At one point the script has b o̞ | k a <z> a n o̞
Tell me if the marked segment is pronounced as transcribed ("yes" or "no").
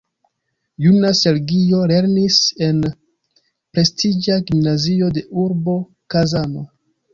yes